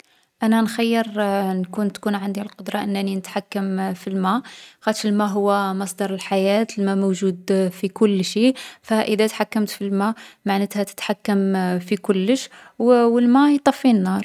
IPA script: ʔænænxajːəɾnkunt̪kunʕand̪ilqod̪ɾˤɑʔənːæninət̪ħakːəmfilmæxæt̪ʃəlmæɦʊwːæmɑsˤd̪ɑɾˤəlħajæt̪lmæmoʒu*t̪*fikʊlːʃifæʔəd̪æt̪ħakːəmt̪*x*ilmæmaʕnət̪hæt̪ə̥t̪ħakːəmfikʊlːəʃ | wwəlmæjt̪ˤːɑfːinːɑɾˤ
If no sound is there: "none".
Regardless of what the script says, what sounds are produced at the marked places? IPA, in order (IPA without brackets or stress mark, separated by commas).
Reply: d̪, f